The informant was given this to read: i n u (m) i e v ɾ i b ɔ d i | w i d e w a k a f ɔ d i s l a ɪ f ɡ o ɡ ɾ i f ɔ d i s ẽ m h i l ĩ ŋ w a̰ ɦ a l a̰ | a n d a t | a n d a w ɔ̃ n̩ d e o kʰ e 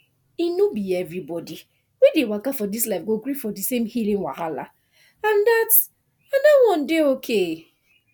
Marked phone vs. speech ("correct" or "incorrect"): incorrect